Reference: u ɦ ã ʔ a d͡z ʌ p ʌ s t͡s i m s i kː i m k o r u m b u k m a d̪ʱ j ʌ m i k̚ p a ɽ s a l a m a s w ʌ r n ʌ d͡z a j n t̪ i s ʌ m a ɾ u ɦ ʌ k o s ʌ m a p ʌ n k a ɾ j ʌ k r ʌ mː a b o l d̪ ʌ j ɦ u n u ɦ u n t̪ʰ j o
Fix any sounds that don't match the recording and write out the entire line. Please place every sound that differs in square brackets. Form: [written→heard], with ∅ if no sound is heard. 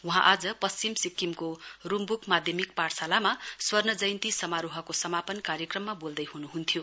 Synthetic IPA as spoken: u ɦ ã ʔ a d͡z ʌ p ʌ s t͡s i m s i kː i m k o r u m b u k m a d̪ʱ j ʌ m i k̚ p a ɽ s a l a m a s w ʌ r n ʌ d͡z [a→ʌ] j n t̪ i s ʌ m a ɾ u ɦ ʌ k o s ʌ m a p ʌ n k a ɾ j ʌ k r ʌ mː a b o l d̪ ʌ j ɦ u n u ɦ u n t̪ʰ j o